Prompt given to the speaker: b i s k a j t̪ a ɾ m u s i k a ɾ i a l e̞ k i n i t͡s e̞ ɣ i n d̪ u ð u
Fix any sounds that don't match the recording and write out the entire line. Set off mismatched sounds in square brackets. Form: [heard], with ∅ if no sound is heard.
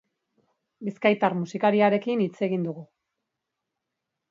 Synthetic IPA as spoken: b i s k a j t̪ a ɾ m u s i k a ɾ i a [ɾ] e̞ k i n i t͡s e̞ ɣ i n d̪ u [ɣ] u

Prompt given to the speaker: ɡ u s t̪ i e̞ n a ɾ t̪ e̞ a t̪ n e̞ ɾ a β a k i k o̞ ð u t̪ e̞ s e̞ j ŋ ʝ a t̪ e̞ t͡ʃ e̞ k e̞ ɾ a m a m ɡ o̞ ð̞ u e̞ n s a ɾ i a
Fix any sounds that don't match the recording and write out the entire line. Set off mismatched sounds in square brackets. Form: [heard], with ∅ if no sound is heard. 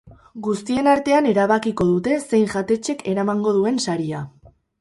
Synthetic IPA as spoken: ɡ u s t̪ i e̞ n a ɾ t̪ e̞ a [∅] n e̞ ɾ a β a k i k o̞ ð u t̪ e̞ s e̞ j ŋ ʝ a t̪ e̞ t͡ʃ e̞ k e̞ ɾ a m a [ŋ] ɡ o̞ ð̞ u e̞ n s a ɾ i a

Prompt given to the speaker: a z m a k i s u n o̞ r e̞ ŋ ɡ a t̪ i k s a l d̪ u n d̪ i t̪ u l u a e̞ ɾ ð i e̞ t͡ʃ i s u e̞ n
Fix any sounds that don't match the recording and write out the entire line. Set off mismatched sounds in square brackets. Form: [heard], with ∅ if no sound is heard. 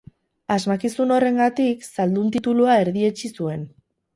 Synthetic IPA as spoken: a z m a k i s u n o̞ r e̞ ŋ ɡ a t̪ i k s a l d̪ u n [t̪] i t̪ u l u a e̞ ɾ ð i e̞ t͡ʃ i s u e̞ n

